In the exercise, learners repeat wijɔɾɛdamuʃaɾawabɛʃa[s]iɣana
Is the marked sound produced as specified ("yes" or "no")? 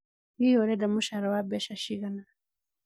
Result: no